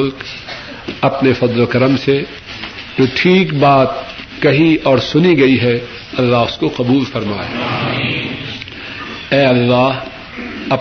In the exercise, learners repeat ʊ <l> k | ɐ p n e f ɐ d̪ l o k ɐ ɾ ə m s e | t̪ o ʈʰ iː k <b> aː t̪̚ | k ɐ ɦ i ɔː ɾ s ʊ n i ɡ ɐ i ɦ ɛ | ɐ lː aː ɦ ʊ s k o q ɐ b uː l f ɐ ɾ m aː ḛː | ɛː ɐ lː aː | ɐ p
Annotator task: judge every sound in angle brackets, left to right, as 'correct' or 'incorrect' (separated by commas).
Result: correct, correct